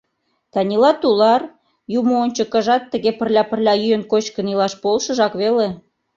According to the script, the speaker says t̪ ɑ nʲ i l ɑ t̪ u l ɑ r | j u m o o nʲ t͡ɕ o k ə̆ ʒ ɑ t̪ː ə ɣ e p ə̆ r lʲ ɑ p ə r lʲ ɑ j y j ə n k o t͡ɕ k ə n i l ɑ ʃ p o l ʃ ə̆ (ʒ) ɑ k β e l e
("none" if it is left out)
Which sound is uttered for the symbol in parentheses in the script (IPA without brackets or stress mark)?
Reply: ʒ